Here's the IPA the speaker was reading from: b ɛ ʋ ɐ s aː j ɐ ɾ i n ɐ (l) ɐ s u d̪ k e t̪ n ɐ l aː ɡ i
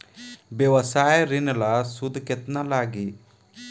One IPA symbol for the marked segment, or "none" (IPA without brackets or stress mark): l